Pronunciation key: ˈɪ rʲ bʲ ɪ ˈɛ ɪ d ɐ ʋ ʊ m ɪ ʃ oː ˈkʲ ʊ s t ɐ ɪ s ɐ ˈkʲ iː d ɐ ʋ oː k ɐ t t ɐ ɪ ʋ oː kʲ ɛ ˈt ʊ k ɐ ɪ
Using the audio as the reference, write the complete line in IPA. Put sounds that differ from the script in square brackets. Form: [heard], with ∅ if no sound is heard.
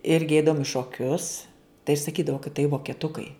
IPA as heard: ˈɪ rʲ [ɡʲ] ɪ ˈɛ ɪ d ɐ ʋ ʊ m ɪ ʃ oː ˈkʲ ʊ s t ɐ ɪ s ɐ ˈkʲ iː d ɐ ʋ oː k ɐ t t ɐ ɪ ʋ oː kʲ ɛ ˈt ʊ k ɐ ɪ